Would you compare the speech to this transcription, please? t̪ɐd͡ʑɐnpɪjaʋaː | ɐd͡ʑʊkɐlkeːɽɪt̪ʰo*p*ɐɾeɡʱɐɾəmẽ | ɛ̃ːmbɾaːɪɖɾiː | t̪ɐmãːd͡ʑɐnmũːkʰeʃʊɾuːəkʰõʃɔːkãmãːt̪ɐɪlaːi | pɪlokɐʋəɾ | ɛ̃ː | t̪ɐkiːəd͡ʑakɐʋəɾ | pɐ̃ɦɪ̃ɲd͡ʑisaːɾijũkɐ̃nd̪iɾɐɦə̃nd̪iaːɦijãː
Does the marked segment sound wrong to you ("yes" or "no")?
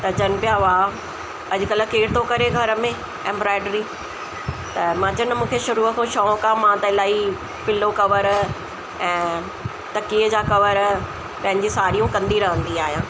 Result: yes